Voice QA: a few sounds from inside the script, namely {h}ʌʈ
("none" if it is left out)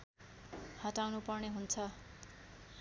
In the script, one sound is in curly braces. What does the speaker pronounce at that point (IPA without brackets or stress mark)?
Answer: h